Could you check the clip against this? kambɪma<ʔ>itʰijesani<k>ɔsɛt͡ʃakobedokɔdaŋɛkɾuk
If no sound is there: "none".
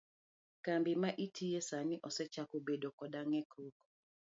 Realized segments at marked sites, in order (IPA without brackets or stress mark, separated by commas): ʔ, ʔ